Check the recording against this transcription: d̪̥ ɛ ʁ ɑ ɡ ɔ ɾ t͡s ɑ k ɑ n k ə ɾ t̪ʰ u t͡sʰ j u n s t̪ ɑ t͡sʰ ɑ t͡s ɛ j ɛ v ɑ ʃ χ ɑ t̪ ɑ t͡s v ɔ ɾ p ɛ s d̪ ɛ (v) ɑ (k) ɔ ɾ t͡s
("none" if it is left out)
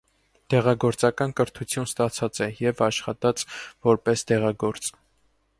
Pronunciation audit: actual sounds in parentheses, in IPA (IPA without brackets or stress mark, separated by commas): ʁ, ɡ